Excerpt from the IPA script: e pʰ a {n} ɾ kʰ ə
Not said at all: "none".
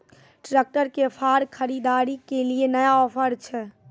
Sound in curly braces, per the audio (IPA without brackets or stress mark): none